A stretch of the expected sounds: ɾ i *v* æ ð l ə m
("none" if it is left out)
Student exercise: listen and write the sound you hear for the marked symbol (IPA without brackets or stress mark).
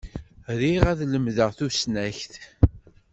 ʁ